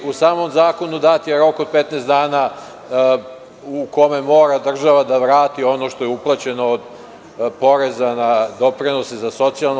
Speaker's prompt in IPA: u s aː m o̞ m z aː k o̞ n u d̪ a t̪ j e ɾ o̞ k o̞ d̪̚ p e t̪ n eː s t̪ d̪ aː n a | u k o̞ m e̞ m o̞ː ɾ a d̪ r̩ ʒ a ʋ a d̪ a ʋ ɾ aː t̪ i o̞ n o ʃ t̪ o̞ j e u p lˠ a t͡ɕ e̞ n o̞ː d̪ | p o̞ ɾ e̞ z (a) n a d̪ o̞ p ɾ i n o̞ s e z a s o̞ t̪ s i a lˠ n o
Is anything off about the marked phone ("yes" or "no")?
no